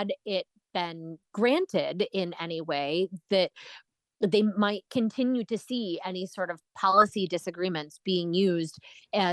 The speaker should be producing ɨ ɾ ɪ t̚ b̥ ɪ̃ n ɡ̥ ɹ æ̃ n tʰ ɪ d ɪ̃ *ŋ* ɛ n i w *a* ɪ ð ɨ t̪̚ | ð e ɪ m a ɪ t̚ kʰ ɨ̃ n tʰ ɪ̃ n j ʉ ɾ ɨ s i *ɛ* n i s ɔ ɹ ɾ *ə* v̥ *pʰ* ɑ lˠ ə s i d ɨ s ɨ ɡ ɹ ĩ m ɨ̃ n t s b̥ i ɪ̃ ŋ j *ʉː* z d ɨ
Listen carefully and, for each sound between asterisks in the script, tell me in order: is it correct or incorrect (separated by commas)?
incorrect, incorrect, correct, incorrect, correct, incorrect